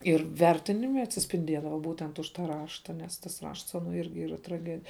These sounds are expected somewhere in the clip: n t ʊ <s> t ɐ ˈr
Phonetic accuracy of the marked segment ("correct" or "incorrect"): incorrect